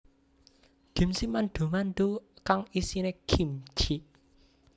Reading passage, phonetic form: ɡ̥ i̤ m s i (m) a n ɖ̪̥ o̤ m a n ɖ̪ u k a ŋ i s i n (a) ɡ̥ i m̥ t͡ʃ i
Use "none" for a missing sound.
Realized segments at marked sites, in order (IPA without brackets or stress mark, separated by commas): m, e